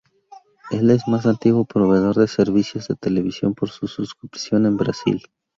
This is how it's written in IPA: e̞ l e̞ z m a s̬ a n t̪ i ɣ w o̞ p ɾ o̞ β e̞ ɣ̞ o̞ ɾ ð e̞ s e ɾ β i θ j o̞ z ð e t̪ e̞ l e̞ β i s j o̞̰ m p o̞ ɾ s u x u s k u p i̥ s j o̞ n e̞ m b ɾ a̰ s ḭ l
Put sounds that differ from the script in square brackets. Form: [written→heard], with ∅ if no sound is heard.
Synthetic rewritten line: e̞ l e̞ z m a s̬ a n t̪ i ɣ w o̞ p ɾ o̞ β e̞ [ɣ̞→ð̞] o̞ ɾ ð e̞ s e ɾ β i [θ→s] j o̞ z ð e t̪ e̞ l e̞ β i s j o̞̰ m p o̞ ɾ s u [x→s] u s k u p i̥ s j o̞ n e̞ m b ɾ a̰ s ḭ l